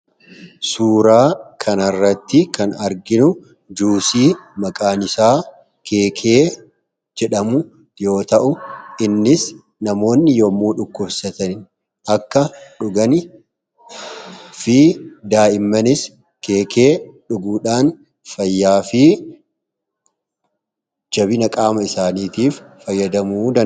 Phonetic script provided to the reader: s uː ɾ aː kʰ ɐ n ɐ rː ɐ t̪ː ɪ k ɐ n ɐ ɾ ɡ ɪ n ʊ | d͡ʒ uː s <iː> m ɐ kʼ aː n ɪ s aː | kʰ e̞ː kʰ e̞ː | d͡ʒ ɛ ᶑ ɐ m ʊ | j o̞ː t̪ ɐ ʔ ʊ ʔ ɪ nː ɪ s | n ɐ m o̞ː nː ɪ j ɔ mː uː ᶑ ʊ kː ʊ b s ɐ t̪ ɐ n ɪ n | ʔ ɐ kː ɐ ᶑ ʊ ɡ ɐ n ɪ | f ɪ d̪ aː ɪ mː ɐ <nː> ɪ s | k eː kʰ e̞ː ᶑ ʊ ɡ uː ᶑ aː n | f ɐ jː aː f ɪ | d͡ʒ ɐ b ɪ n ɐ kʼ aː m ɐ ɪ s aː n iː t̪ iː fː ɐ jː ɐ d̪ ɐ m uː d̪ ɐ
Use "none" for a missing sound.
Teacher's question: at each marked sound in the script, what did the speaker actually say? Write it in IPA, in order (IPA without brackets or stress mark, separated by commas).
iː, n